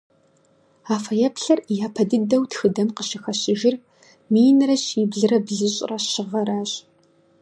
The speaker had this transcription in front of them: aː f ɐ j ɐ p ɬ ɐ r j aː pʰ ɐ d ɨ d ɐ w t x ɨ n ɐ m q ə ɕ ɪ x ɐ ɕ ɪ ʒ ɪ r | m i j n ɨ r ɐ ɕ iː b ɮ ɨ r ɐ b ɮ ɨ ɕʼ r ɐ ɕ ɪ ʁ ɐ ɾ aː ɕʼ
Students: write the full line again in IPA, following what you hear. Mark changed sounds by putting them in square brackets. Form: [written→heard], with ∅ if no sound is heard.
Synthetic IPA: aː f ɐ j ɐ p ɬ ɐ r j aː pʰ ɐ d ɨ d ɐ w t x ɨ [n→d] ɐ m q ə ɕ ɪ x ɐ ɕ ɪ ʒ ɪ r | m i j n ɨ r ɐ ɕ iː b ɮ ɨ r ɐ b ɮ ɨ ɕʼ r ɐ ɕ ɪ ʁ ɐ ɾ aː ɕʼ